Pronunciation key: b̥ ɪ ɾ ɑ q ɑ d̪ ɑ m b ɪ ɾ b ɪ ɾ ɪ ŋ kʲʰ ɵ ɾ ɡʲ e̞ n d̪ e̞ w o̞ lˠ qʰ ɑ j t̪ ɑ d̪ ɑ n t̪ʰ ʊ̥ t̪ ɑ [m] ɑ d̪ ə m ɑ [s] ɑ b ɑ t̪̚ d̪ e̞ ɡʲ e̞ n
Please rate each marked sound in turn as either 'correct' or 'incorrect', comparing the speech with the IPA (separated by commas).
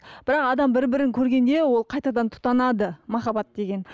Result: incorrect, incorrect